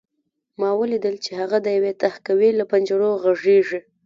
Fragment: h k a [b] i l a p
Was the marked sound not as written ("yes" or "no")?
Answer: yes